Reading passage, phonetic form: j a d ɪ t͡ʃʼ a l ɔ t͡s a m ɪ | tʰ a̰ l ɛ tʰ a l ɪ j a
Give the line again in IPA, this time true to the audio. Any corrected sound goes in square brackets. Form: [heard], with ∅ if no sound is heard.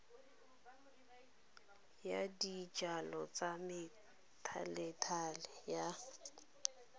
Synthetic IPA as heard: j a d [i] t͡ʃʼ a l ɔ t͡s a m ɪ | tʰ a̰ l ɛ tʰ a l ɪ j a

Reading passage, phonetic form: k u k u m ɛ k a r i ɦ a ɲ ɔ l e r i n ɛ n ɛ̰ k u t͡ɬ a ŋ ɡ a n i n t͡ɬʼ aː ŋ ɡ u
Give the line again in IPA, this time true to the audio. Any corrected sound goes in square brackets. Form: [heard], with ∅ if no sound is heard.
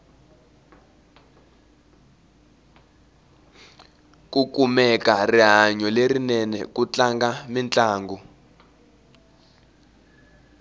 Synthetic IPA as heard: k u k u m ɛ k a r i ɦ a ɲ ɔ l e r i n ɛ n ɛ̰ k u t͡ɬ a ŋ ɡ a [m] i n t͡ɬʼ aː ŋ ɡ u

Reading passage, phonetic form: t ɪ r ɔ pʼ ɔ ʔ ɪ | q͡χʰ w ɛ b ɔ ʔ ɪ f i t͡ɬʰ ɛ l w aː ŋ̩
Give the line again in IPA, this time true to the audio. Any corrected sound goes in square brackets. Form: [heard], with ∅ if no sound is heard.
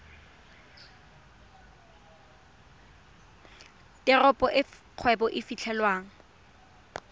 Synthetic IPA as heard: t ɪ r ɔ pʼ ɔ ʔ ɪ | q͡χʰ w ɛ b ɔ ʔ ɪ f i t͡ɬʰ ɛ l w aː ŋ̩

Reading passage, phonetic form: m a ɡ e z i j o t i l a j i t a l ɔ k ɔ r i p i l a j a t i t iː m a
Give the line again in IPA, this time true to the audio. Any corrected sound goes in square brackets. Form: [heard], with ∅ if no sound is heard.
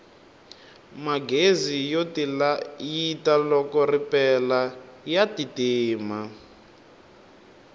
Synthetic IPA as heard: m a ɡ e z i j o t i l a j i t a l ɔ k ɔ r i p [ɛ] l a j a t i t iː m a

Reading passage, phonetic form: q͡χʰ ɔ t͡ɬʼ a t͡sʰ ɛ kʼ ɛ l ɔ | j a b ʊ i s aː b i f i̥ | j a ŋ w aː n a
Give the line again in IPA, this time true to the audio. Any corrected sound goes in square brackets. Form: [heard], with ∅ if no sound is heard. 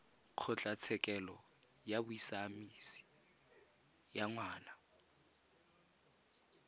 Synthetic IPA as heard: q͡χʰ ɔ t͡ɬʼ a t͡sʰ ɛ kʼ ɛ l ɔ | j a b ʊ i s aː [m] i [s] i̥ | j a ŋ w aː n a

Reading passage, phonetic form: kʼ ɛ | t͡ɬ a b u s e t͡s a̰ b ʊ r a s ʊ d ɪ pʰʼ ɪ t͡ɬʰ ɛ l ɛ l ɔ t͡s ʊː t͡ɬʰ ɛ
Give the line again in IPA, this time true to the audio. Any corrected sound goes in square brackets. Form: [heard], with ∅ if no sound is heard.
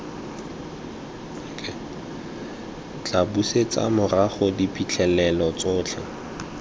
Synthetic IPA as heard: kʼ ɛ | t͡ɬ a b u s e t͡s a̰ [m] ʊ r a [χ] ʊ d [i] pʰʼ [i] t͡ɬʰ ɛ l ɛ l ɔ t͡s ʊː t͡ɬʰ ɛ

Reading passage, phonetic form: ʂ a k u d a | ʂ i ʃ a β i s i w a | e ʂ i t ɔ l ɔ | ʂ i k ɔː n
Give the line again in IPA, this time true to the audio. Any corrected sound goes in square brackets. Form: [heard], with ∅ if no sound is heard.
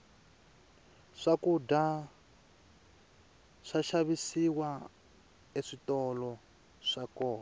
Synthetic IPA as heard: ʂ a k u d a | ʂ [a] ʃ a β i s i w a | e ʂ i t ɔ l ɔ | ʂ [a] k ɔː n

